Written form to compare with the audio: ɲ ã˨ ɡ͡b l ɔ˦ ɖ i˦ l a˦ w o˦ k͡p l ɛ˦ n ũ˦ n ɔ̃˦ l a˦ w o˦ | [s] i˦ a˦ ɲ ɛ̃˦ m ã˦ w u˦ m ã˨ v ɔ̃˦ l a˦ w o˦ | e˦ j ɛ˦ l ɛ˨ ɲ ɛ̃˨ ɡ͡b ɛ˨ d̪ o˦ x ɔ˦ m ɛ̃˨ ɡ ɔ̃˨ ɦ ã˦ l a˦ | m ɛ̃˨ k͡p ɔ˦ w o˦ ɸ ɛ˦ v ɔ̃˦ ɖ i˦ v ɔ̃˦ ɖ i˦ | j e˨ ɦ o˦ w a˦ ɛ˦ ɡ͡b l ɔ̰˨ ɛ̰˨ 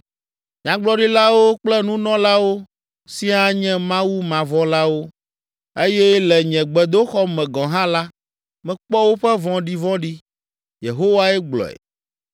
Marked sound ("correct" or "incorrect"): correct